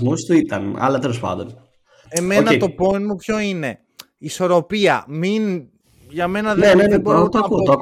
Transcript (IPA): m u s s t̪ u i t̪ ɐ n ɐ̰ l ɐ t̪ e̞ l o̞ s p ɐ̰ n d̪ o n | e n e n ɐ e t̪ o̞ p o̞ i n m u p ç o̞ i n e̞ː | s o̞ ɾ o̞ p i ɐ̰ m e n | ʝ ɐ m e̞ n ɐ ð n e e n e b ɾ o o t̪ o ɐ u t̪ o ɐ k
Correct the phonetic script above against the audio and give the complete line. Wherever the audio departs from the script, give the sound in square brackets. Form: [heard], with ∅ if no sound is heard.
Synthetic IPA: m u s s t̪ u i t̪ ɐ n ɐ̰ l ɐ t̪ e̞ l o̞ s p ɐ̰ n d̪ o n | e [m] e n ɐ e t̪ o̞ p o̞ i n m u p ç o̞ i n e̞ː | s o̞ ɾ o̞ p i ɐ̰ m [i] n | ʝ ɐ m e̞ n ɐ ð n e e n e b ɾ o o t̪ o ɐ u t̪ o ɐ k